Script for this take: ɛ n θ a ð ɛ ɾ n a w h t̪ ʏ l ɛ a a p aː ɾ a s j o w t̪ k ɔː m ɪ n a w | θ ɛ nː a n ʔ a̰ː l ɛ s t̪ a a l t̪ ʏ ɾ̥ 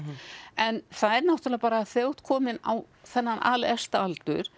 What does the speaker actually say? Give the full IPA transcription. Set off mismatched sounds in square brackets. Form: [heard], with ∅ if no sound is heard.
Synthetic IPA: ɛ n θ a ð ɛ ɾ n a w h t̪ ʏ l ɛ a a p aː ɾ a [θ] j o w t̪ [kʰ] ɔː m ɪ n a w | θ ɛ nː a n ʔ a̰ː l ɛ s t̪ a a l t̪ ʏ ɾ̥

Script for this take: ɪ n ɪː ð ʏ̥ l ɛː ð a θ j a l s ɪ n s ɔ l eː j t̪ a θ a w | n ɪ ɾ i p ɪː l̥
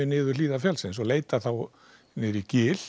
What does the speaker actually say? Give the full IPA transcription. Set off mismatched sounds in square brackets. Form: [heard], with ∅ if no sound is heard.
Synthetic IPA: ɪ n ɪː ð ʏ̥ l [iː] ð a [f] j a l s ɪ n s ɔ l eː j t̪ a θ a w | n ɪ ɾ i [c] ɪː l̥

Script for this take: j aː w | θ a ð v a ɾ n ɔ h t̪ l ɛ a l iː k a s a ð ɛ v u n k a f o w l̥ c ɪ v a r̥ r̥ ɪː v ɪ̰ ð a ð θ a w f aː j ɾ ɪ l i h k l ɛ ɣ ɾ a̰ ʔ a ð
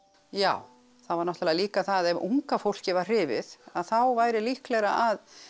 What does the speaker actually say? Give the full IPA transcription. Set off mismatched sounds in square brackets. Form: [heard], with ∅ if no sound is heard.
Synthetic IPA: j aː w | θ a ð v a ɾ n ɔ h t̪ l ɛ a l iː k a [θ] a ð ɛ v u [ŋ] k a f o w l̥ c ɪ v a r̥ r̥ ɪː v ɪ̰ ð a ð θ a w [v] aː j ɾ ɪ l i h k l ɛ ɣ ɾ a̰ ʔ a ð

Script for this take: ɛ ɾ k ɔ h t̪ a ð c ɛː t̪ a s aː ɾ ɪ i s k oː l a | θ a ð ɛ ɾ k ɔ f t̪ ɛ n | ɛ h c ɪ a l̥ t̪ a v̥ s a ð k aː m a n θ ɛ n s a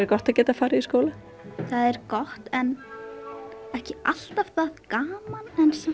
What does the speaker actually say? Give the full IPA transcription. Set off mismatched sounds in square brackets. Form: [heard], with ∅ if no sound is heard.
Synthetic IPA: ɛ ɾ k ɔ h t̪ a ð c ɛː t̪ a [f] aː ɾ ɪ i s k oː l a | θ a ð ɛ ɾ k ɔ [h] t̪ ɛ n | ɛ h c ɪ a l̥ t̪ a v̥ [θ] a ð k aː m a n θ ɛ n s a

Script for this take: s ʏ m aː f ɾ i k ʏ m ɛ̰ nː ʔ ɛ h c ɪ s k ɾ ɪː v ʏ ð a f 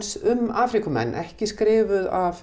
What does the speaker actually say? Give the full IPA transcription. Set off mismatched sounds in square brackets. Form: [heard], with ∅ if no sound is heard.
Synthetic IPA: s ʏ m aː f ɾ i k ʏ m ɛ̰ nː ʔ ɛ h c ɪ s k ɾ ɪː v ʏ ð a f

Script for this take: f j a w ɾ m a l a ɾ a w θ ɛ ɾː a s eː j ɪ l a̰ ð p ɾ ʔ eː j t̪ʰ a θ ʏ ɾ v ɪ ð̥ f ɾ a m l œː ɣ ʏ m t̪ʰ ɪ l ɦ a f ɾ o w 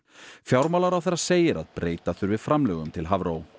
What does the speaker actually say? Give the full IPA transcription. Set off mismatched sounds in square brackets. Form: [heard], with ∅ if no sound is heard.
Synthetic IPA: f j a w ɾ m a l a ɾ a w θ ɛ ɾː a s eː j ɪ [ɾ] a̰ ð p ɾ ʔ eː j [t̪] a θ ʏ ɾ v ɪ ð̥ f ɾ a m l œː ɣ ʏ m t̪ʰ ɪ l ɦ a [v] ɾ o w

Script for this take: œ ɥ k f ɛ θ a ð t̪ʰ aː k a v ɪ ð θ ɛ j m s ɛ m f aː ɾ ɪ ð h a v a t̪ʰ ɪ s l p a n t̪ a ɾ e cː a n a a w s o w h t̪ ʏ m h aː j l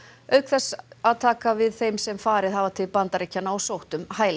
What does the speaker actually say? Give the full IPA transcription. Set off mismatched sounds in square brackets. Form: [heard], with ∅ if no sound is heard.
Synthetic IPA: œ ɥ k [θ] ɛ [s] a ð t̪ʰ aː k a v ɪ ð θ [e] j m s ɛ m f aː ɾ ɪ ð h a v a t̪ʰ ɪ [∅] l p a n t̪ a ɾ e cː a n a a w s o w h t̪ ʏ m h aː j l

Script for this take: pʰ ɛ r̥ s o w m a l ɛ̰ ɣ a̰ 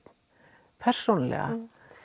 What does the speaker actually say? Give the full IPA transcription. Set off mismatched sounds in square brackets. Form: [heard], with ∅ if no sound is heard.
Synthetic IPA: pʰ ɛ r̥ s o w [n] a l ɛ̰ ɣ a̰

